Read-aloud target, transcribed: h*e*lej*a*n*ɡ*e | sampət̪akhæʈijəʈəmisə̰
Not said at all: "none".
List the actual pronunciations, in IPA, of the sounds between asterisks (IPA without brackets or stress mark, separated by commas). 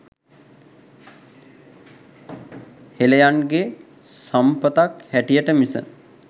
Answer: e, a, ɡ